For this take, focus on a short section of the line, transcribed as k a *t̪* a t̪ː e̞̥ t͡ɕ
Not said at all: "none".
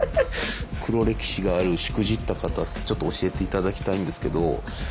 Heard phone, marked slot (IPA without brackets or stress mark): t̪